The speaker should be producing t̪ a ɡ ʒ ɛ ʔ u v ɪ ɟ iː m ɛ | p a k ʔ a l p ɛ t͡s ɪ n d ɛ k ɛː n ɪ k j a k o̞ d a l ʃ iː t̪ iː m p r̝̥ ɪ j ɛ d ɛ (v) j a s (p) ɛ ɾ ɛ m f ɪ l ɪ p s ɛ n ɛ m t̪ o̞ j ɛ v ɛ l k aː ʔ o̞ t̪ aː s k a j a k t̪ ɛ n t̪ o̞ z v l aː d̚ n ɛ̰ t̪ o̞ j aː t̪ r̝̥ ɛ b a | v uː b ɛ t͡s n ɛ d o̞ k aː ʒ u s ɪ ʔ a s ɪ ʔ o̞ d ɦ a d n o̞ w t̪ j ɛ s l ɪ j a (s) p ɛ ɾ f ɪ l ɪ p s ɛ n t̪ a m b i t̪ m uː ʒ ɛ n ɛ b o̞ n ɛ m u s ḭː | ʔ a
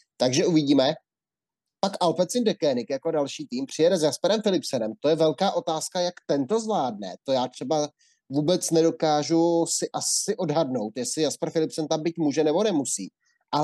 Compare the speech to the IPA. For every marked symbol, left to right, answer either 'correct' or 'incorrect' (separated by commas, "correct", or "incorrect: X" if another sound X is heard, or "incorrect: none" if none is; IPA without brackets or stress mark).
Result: incorrect: z, correct, correct